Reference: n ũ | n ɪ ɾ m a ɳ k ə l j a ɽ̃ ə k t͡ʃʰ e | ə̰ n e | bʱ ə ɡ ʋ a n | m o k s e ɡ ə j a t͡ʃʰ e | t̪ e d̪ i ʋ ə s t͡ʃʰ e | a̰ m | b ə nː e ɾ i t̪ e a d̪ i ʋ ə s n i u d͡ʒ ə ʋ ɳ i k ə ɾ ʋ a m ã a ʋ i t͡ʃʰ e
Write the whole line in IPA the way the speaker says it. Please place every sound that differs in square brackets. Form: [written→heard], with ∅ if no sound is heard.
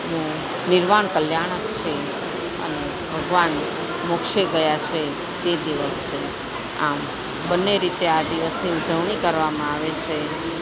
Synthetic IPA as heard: n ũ | n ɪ ɾ m a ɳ k ə l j a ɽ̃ ə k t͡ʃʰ e | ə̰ n e | bʱ ə ɡ ʋ a n | m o k [s→ʃ] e ɡ ə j a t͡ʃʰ e | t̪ e d̪ i ʋ ə s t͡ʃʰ e | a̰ m | b ə nː e ɾ i t̪ e a d̪ i ʋ ə s n i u d͡ʒ ə ʋ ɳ i k ə ɾ ʋ a m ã a ʋ [i→e] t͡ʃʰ e